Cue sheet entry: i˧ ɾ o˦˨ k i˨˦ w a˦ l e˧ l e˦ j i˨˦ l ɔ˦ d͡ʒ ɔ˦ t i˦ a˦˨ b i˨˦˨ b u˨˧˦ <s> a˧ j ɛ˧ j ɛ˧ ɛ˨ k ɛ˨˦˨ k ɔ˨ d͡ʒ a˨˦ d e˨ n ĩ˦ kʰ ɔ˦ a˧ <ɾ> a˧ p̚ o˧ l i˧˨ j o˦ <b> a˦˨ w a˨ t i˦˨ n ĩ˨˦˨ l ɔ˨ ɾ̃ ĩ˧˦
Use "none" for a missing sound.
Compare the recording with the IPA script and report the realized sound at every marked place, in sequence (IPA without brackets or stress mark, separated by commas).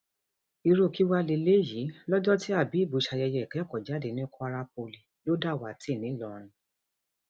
ʃ, ɾ, d